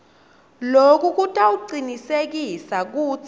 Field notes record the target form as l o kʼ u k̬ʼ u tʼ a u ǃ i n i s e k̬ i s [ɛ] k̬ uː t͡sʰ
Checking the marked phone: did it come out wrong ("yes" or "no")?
yes